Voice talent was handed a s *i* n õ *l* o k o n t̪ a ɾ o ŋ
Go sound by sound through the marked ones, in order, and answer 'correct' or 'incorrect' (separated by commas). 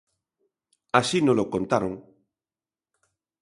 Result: correct, correct